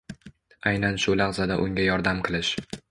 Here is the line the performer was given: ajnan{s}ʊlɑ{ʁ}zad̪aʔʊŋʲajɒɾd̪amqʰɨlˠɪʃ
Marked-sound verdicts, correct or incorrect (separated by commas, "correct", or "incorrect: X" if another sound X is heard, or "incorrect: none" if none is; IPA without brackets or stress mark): incorrect: ʃ, correct